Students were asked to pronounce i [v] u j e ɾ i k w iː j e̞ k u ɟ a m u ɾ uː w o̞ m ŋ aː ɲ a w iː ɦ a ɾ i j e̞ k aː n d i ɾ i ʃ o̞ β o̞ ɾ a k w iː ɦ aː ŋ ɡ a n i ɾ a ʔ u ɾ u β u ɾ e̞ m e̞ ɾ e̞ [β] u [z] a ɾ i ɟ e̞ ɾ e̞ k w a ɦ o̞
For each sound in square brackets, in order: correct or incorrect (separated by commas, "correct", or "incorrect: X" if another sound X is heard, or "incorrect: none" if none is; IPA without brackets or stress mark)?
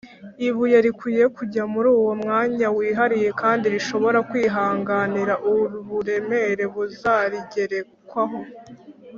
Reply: incorrect: β, correct, correct